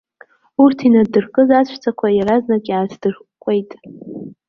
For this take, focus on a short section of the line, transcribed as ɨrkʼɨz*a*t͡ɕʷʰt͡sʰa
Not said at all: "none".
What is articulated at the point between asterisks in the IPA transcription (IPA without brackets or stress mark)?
a